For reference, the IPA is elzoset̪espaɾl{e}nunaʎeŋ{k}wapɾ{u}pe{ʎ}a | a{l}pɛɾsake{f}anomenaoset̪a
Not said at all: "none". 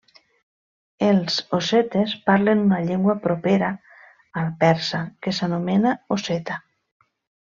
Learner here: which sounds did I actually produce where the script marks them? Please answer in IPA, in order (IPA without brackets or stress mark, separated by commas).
e, ɡ, o, ɾ, l, s